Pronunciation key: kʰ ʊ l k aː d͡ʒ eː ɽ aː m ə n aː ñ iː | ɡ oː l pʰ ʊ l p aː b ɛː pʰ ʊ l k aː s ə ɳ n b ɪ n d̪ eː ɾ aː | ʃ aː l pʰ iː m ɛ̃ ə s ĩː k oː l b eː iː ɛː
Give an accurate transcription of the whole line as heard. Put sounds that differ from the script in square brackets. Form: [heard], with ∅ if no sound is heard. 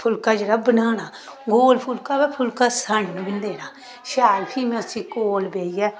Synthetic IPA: [pʰ] ʊ l k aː d͡ʒ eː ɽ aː [b] ə n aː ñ [aː] | ɡ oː l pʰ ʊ l [k] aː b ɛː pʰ ʊ l k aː s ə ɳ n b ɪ n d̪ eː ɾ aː | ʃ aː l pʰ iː m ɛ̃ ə s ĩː k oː l b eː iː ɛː